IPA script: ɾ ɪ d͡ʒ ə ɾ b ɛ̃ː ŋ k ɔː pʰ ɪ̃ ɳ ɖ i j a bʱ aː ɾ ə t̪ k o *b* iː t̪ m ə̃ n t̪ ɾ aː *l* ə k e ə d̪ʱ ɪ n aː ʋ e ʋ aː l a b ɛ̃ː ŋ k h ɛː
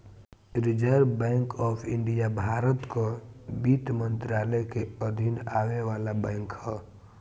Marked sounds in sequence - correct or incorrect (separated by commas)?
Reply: correct, correct